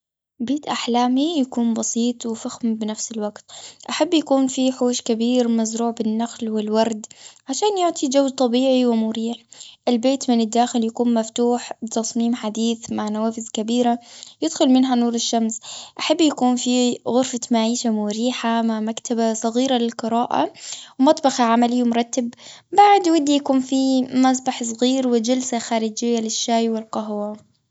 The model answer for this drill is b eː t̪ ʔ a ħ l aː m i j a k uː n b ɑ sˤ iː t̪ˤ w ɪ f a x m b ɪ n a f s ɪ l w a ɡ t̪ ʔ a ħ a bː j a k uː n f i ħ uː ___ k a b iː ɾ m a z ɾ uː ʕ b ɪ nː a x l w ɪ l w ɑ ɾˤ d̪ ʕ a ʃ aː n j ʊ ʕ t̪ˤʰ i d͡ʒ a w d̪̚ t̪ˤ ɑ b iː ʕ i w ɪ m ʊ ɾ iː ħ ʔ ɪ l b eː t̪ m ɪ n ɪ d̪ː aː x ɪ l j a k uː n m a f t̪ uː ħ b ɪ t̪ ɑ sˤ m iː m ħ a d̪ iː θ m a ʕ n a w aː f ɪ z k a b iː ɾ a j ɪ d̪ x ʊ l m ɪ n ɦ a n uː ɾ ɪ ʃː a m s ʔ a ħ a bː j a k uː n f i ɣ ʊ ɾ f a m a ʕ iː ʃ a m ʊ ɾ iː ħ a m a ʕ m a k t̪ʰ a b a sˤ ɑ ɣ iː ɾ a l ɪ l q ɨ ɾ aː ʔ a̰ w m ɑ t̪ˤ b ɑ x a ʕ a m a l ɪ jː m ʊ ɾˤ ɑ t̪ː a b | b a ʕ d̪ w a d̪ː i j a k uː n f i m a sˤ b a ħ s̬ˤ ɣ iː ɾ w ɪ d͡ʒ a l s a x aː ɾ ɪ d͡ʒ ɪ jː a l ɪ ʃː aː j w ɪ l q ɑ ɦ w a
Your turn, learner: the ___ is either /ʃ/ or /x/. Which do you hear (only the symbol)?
ʃ